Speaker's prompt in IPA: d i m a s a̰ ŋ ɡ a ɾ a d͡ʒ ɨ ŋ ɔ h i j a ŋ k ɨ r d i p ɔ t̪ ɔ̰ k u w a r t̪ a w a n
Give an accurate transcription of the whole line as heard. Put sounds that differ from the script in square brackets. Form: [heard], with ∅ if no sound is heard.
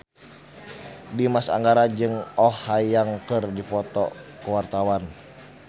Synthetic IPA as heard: d i m a s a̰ ŋ ɡ a ɾ a d͡ʒ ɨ ŋ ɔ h [a] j a ŋ k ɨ r d i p ɔ t̪ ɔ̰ k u w a r t̪ a w a n